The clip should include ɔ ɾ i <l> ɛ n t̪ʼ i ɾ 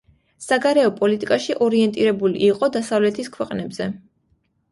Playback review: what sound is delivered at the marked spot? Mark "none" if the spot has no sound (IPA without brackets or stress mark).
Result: none